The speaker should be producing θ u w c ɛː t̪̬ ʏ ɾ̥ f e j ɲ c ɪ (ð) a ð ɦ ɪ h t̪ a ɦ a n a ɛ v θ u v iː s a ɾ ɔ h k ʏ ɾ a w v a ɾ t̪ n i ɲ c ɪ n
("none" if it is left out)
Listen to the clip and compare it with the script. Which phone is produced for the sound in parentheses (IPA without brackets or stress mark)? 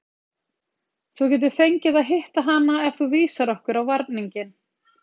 ð